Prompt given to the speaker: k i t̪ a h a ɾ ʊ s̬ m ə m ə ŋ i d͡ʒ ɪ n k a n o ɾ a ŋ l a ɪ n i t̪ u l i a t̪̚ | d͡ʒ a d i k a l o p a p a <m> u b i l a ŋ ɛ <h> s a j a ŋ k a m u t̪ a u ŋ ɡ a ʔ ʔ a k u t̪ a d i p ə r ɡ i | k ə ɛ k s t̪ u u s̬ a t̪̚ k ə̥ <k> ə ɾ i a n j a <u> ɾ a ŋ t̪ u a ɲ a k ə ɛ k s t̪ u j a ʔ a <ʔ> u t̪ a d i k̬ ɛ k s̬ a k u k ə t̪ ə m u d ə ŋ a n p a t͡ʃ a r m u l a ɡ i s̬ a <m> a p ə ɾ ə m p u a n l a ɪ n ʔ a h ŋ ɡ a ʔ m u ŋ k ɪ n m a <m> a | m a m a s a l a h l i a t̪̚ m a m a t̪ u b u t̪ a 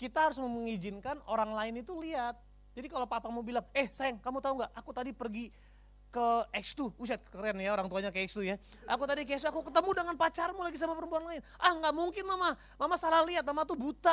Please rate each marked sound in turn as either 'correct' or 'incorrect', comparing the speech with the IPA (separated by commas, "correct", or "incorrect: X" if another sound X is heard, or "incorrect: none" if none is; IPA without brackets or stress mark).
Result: correct, correct, correct, incorrect: o, incorrect: k, correct, correct